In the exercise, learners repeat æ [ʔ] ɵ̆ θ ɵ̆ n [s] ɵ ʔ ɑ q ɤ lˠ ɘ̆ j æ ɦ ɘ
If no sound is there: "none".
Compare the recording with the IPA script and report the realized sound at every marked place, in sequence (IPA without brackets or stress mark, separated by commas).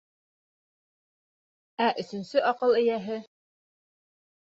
ʔ, s